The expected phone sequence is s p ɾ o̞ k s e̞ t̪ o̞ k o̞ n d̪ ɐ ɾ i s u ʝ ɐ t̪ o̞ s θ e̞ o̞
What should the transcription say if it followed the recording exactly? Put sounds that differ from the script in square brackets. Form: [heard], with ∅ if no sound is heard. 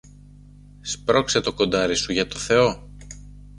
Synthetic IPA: s p ɾ o̞ k s e̞ t̪ o̞ k o̞ n d̪ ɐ ɾ i s u ʝ ɐ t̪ o̞ [∅] θ e̞ o̞